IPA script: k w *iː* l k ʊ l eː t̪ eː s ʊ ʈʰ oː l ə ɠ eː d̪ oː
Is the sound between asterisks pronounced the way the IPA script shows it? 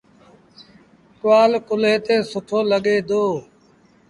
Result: no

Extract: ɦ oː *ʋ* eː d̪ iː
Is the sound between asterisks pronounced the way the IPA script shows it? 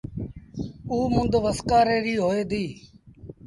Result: no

